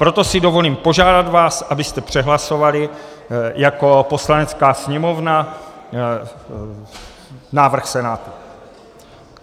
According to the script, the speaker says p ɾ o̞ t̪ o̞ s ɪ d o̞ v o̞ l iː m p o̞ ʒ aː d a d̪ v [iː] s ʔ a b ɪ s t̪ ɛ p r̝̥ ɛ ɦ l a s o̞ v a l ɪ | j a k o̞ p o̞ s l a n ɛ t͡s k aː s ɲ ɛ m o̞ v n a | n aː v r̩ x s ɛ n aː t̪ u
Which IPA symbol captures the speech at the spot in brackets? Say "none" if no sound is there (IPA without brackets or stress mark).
aː